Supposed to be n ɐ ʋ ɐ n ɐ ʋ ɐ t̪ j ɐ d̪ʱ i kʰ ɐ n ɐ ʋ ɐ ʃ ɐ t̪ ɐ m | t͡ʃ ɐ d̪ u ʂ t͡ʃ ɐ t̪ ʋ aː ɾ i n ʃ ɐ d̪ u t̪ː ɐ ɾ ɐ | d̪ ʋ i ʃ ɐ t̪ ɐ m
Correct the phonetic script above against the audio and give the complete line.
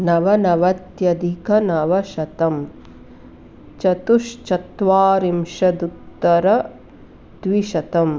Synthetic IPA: n ɐ ʋ ɐ n ɐ ʋ ɐ t̪ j ɐ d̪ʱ i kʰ ɐ n ɐ ʋ ɐ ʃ ɐ t̪ ɐ m | t͡ʃ ɐ t̪ u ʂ t͡ʃ ɐ t̪ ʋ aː ɾ i m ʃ ɐ d̪ u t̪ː ɐ ɾ ɐ | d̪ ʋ i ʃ ɐ t̪ ɐ m

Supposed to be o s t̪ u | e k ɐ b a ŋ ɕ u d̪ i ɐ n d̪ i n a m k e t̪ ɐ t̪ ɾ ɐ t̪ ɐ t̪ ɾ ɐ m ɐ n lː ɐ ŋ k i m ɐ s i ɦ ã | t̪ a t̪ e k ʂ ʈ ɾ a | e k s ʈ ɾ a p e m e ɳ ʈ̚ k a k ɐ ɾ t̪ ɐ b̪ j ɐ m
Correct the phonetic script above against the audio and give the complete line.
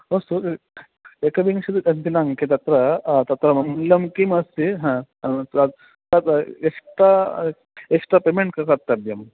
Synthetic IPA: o s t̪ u | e k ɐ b i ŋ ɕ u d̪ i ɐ n t̪ i n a ŋ k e t̪ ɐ t̪ ɾ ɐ t̪ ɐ t̪ ɾ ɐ m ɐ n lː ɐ m k i m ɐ s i ɦ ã | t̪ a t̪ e k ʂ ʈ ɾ a | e k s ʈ ɾ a p e m e ɳ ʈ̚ k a k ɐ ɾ t̪ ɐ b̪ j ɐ m

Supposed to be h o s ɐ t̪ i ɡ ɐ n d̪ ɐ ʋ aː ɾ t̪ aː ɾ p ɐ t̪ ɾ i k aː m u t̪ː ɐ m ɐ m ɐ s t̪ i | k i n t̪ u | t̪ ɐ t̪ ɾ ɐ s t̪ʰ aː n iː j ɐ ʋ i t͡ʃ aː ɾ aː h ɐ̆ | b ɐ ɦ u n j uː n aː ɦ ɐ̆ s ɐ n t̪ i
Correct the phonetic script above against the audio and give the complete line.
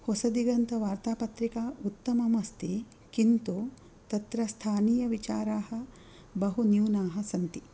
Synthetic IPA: h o s ɐ d̪ i ɡ ɐ n t̪ ɐ ʋ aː ɾ t̪ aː p ɐ t̪ ɾ i k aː u t̪ː ɐ m ɐ m ɐ s t̪ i | k i n t̪ u | t̪ ɐ t̪ ɾ ɐ s t̪ʰ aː n iː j ɐ ʋ i t͡ʃ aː ɾ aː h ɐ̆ | b ɐ ɦ u n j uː n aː ɦ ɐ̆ s ɐ n t̪ i

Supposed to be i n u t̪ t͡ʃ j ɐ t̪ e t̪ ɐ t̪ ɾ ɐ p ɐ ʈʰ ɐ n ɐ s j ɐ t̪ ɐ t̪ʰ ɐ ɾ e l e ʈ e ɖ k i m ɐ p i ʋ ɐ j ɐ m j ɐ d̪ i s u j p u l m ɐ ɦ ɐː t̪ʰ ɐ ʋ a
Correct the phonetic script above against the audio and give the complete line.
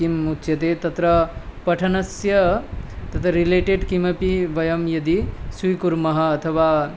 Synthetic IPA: i m u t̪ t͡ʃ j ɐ t̪ e t̪ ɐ t̪ ɾ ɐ p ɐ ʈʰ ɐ n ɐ s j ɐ t̪ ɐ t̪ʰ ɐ ɾ i l e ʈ e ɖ k i m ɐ p i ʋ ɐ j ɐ m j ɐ d̪ i s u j k u ɾ m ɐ ɦ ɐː t̪ʰ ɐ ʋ a

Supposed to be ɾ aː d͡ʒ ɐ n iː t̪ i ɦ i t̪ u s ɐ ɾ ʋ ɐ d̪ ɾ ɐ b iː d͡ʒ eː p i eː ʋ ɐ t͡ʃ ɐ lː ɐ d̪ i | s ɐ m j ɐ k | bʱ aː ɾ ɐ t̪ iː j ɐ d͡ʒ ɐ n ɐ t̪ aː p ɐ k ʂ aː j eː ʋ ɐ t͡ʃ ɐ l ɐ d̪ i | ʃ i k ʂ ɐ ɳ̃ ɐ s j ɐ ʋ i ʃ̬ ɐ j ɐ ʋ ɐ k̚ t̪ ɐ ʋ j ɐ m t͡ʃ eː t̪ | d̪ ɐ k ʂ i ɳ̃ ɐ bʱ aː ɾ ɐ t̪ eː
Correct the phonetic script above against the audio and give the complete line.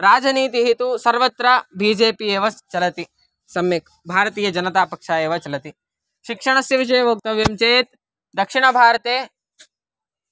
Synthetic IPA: ɾ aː d͡ʒ ɐ n iː t̪ i ɦ i t̪ u s ɐ ɾ ʋ ɐ t̪ ɾ ɐ b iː d͡ʒ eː p i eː ʋ ɐ t͡ʃ ɐ l ɐ t̪ i | s ɐ m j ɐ k | bʱ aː ɾ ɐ t̪ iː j ɐ d͡ʒ ɐ n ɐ t̪ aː p ɐ k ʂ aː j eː ʋ ɐ t͡ʃ ɐ l ɐ t̪ i | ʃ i k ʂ ɐ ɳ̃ ɐ s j ɐ ʋ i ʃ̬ ɐ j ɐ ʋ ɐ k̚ t̪ ɐ ʋ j ɐ m t͡ʃ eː t̪ | d̪ ɐ k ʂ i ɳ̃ ɐ bʱ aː ɾ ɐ t̪ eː

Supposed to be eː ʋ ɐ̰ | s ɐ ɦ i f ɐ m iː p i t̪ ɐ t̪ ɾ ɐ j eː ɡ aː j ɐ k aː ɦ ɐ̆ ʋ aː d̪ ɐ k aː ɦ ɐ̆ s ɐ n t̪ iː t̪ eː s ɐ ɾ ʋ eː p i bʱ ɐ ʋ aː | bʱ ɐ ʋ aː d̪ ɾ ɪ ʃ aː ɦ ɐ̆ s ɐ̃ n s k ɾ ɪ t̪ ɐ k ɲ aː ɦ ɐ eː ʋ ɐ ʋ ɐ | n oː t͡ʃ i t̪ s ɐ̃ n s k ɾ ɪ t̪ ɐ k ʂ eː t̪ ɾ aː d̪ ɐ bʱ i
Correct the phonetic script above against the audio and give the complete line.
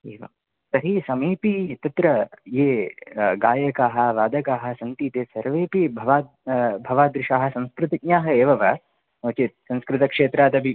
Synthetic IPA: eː ʋ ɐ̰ | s ɐ ɦ i s ɐ m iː p i t̪ ɐ t̪ ɾ ɐ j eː ɡ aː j ɐ k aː ɦ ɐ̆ ʋ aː d̪ ɐ k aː ɦ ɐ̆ s ɐ n t̪ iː t̪ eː s ɐ ɾ ʋ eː p i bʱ ɐ ʋ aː | bʱ ɐ ʋ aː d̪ ɾ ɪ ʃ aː ɦ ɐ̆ s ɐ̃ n s k ɾ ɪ t̪ ɐ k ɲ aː ɦ ɐ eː ʋ ɐ ʋ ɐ | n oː t͡ʃ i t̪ s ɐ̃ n s k ɾ ɪ t̪ ɐ k ʂ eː t̪ ɾ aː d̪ ɐ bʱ i

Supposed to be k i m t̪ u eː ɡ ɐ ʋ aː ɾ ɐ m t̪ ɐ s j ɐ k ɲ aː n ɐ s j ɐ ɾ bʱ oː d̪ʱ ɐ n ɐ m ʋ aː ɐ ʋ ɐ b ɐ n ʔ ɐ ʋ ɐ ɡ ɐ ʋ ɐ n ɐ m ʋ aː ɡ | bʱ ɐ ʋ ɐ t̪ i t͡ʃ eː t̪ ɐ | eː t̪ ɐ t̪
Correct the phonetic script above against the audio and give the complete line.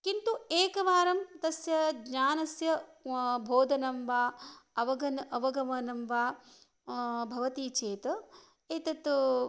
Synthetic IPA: k i n t̪ u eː k ɐ ʋ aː ɾ ɐ m t̪ ɐ s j ɐ ɡ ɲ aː n ɐ s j ɐ bʱ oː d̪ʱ ɐ n ɐ m ʋ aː ɐ ʋ ɐ ɡ ɐ n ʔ ɐ ʋ ɐ ɡ ɐ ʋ ɐ n ɐ m ʋ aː | bʱ ɐ ʋ ɐ t̪ i t͡ʃ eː t̪ ɐ | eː t̪ ɐ t̪

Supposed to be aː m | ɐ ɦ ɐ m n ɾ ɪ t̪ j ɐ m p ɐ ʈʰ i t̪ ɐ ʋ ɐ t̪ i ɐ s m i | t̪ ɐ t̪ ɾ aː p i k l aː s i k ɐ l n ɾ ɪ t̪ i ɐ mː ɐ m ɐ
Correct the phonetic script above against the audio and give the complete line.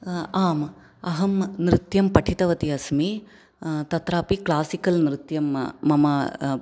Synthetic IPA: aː m | ɐ ɦ ɐ m n ɾ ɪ t̪ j ɐ m p ɐ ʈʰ i t̪ ɐ ʋ ɐ t̪ i ɐ s m i | t̪ ɐ t̪ ɾ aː p i k l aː s i k ɐ l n ɾ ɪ t̪ j ɐ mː ɐ m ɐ

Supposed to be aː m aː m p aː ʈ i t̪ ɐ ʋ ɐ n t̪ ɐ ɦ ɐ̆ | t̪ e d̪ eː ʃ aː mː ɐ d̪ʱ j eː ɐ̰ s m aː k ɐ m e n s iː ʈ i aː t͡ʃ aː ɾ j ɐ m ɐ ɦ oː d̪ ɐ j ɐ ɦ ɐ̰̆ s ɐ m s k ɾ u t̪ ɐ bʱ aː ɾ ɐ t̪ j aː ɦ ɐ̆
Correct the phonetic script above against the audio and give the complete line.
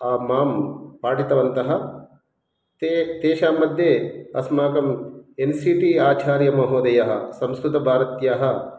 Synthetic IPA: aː m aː m p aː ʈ i t̪ ɐ ʋ ɐ n t̪ ɐ ɦ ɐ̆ | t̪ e t̪ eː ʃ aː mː ɐ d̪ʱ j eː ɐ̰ s m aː k ɐ m e n s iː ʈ i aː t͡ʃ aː ɾ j ɐ m ɐ ɦ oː d̪ ɐ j ɐ ɦ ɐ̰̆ s ɐ m s k ɾ u t̪ ɐ bʱ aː ɾ ɐ t̪ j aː ɦ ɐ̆

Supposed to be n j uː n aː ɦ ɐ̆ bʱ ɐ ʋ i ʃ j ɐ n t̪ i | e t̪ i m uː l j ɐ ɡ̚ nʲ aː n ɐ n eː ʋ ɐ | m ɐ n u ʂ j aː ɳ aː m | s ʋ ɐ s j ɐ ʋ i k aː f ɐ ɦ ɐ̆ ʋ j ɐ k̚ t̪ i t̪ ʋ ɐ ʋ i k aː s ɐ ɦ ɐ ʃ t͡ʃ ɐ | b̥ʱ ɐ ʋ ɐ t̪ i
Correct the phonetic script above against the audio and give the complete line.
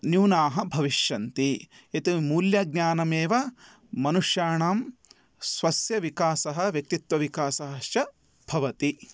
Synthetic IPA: n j uː n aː ɦ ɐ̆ bʱ ɐ ʋ i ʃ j ɐ n t̪ i | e t̪ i m uː l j ɐ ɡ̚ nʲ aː n ɐ m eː ʋ ɐ | m ɐ n u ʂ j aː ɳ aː m | s ʋ ɐ s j ɐ ʋ i k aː s ɐ ɦ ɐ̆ ʋ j ɐ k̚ t̪ i t̪ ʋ ɐ ʋ i k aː s ɐ ɦ ɐ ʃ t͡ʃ ɐ | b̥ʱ ɐ ʋ ɐ t̪ i

